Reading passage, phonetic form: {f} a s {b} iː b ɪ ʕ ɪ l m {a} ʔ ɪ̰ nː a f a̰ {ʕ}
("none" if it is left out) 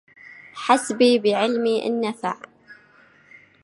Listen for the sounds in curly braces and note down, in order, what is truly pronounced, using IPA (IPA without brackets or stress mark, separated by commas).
ħ, b, i, ʕ